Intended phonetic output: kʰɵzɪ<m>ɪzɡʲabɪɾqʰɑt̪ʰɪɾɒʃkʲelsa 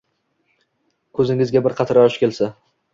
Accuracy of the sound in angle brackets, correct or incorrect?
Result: incorrect